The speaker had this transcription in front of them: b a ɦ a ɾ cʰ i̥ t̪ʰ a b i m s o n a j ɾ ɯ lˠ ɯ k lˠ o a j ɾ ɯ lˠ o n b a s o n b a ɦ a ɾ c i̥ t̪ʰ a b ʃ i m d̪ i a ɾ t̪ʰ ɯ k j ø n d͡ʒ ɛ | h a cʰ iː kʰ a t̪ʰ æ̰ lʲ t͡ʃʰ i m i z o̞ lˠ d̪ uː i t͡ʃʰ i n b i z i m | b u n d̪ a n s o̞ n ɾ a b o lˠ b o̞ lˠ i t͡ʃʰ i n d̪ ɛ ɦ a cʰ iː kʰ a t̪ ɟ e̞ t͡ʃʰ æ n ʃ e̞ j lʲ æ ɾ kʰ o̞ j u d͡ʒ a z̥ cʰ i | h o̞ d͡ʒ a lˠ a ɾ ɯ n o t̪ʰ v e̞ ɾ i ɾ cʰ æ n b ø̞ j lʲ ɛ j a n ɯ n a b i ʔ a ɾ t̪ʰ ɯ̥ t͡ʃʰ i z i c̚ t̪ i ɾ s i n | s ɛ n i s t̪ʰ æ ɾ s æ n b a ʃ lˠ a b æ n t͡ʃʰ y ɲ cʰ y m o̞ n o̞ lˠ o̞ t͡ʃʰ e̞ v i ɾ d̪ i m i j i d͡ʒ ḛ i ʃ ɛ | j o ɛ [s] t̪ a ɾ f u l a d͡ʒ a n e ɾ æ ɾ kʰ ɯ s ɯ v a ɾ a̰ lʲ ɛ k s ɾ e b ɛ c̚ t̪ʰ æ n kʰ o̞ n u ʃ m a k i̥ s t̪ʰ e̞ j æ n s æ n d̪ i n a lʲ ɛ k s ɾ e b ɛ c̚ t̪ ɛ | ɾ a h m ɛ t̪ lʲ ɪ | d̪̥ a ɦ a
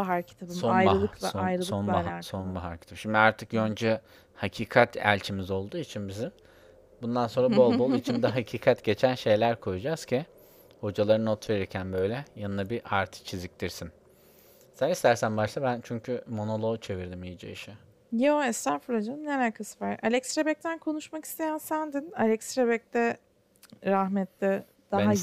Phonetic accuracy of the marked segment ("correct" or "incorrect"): correct